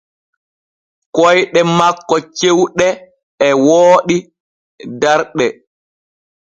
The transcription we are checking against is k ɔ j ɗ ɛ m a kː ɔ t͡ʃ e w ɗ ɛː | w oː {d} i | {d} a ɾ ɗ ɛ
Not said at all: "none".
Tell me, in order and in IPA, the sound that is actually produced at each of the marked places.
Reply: ɗ, d

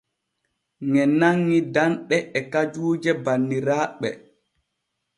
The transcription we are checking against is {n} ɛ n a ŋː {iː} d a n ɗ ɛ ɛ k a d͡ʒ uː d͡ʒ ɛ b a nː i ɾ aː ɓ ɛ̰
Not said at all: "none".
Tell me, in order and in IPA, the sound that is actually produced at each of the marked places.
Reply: ŋ, i

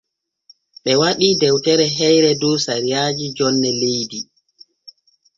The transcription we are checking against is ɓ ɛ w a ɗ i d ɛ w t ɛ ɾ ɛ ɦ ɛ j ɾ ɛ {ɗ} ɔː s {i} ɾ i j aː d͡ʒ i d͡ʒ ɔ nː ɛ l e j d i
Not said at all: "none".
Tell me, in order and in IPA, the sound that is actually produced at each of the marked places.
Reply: d, a

